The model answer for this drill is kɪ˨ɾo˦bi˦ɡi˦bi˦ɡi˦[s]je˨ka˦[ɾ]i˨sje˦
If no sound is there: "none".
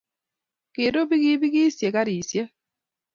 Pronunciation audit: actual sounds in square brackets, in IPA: s, ɾ

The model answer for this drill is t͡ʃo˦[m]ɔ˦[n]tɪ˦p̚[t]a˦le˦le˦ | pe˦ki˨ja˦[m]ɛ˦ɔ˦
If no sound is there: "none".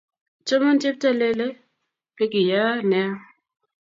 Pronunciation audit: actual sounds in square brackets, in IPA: m, n, t, n

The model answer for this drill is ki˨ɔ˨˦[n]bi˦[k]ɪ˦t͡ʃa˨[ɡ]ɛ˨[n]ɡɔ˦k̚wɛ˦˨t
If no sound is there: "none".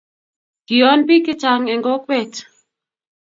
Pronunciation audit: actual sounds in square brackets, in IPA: n, k, ŋ, ŋ

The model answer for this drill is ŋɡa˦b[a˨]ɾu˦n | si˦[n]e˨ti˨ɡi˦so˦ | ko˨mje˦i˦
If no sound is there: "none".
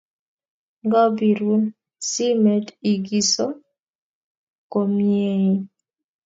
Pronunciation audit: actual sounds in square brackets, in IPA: i˨, m

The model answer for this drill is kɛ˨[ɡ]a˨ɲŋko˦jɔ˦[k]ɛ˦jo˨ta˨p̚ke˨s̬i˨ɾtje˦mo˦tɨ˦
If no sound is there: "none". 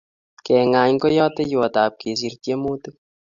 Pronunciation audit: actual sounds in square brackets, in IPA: ŋ, t

